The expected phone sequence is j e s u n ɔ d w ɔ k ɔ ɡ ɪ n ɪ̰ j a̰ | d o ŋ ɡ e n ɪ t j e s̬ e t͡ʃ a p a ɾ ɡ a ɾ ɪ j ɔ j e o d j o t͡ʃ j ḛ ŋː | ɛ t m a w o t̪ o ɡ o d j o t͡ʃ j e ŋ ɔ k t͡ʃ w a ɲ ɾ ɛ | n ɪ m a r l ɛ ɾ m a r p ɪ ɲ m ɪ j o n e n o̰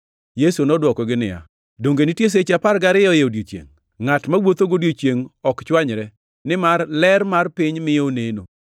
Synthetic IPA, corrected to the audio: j e s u n ɔ d w ɔ k ɔ ɡ ɪ n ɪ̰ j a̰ | d o ŋ ɡ e n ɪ t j e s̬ e t͡ʃ a p a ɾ ɡ a ɾ ɪ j ɔ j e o d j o t͡ʃ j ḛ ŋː | a t m a w o t̪ o ɡ o d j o t͡ʃ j e ŋ ɔ k t͡ʃ w a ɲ ɾ ɛ | n ɪ m a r l ɛ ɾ m a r p ɪ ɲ m ɪ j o n e n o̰